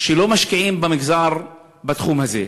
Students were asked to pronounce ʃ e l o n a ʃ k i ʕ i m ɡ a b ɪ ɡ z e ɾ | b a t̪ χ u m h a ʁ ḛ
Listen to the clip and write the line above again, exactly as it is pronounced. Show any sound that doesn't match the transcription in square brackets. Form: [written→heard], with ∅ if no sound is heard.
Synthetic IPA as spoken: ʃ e l o [n→m] a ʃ k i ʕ i m [ɡ→b] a [b→m] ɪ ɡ z [e→a] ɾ | b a t̪ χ u m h a [ʁ→z] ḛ